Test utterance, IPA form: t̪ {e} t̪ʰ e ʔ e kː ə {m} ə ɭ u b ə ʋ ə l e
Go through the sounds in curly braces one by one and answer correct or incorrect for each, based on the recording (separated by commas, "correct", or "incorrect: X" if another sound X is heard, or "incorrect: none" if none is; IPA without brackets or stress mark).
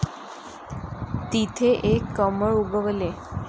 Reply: incorrect: i, correct